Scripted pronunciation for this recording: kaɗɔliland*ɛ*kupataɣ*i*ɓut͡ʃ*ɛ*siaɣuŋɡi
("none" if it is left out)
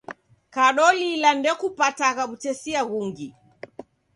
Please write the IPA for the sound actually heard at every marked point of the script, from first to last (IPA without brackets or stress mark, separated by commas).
ɛ, a, ɛ